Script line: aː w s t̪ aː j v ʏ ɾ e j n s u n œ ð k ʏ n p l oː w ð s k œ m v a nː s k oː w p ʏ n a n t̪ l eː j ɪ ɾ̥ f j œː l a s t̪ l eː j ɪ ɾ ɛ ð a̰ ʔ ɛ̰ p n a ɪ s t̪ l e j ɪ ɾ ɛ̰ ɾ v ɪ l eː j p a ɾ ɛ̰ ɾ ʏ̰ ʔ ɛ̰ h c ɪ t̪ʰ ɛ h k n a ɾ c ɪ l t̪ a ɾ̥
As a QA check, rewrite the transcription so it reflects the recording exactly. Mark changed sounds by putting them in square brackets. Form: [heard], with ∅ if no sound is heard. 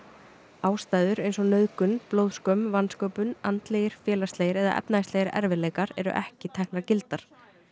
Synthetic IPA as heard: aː w s t̪ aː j [ð] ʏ ɾ e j n s [ɔ] n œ ð k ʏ n p l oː w ð s k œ m v a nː s k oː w p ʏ n a n t̪ l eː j ɪ ɾ̥ f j [ɛː] l a s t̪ l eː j ɪ ɾ ɛ ð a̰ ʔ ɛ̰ p n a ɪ s t̪ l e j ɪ ɾ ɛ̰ ɾ v ɪ l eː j [k] a ɾ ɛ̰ ɾ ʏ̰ ʔ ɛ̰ h c ɪ t̪ʰ ɛ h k n a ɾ c ɪ l t̪ a ɾ̥